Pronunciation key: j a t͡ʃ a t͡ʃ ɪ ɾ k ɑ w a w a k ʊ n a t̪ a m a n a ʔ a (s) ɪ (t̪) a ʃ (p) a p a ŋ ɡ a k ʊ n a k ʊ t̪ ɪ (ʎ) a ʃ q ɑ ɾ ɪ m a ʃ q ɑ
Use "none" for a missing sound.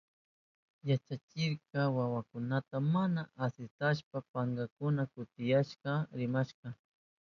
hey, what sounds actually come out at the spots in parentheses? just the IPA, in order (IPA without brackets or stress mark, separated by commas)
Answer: s, t̪, p, j